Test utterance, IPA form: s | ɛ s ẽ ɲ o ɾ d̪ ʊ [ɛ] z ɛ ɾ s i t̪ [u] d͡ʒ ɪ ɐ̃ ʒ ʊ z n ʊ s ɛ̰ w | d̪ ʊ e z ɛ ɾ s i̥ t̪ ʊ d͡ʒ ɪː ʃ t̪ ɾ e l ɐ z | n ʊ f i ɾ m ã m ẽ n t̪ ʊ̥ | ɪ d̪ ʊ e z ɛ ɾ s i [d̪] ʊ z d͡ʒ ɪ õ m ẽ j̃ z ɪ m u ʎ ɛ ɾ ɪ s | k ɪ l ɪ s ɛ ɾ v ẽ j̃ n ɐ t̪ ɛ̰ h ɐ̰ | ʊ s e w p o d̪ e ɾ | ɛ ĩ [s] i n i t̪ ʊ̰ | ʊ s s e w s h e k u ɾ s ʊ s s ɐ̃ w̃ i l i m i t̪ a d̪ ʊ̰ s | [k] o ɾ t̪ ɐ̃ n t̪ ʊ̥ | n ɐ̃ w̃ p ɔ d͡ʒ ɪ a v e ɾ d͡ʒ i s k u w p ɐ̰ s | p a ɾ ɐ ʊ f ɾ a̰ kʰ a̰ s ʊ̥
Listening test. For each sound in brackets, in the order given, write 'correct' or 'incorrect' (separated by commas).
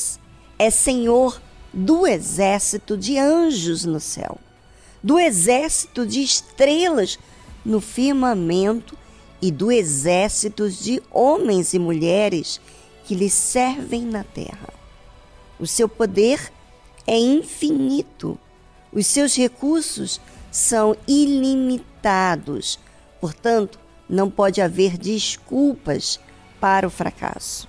incorrect, incorrect, incorrect, incorrect, incorrect